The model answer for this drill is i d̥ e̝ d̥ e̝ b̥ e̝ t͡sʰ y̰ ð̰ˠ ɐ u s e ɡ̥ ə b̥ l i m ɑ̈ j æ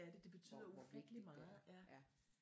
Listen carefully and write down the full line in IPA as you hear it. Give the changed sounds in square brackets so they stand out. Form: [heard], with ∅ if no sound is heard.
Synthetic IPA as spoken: [æ] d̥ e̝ d̥ e̝ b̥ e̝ t͡sʰ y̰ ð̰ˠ ɐ u [f] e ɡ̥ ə [∅] l i m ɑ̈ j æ